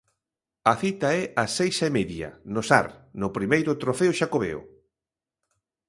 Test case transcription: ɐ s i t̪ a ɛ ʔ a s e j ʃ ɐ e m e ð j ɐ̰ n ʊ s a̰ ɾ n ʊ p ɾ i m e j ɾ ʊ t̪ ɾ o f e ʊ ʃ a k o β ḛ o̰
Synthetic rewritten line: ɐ θ i t̪ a ɛ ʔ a s e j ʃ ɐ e m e ð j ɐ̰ n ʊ s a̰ ɾ n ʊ p ɾ i m e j ɾ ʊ t̪ ɾ o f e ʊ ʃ a k o β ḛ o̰